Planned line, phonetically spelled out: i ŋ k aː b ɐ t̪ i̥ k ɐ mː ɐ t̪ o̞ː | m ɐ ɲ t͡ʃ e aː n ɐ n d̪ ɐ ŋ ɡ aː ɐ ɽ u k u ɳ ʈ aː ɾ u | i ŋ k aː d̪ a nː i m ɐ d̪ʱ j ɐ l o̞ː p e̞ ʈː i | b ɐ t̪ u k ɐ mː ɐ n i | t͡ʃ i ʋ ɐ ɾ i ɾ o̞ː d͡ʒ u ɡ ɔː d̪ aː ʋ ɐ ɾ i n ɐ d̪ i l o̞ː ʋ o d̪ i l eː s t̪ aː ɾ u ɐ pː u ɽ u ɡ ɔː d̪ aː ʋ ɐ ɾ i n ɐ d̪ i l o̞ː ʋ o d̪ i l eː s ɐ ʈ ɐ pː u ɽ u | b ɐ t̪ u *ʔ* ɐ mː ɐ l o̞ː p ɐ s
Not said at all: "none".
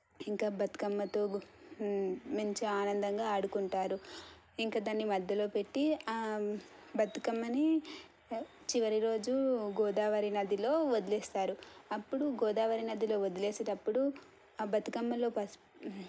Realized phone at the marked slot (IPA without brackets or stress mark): k